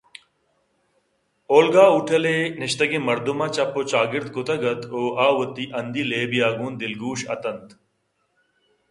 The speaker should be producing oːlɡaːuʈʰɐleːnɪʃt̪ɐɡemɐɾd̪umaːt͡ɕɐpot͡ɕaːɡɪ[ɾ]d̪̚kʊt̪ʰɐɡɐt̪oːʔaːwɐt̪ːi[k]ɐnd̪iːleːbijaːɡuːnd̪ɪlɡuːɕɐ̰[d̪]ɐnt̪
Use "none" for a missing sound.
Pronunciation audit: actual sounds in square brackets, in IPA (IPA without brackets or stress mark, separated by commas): ɾ, ʔ, t̪